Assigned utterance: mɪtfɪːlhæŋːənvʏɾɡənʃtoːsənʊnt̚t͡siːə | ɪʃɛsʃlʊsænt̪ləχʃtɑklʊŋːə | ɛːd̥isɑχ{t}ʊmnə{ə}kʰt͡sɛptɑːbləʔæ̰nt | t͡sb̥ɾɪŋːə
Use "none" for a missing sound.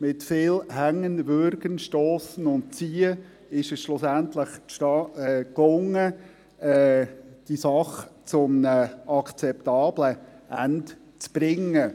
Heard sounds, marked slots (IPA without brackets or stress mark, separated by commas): t͡s, ɑ